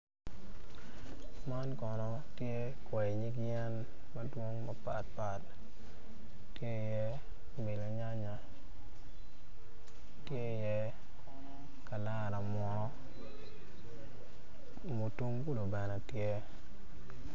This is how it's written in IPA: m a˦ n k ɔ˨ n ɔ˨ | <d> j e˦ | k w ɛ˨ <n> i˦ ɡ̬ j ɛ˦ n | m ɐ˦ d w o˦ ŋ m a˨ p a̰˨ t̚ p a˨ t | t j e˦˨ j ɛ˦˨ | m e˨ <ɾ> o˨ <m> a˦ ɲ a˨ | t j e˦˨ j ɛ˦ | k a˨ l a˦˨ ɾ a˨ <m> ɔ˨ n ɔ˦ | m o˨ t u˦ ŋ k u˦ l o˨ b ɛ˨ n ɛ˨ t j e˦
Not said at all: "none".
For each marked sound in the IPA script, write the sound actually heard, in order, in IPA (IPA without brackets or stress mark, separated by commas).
t, ɲ, l, ɲ, m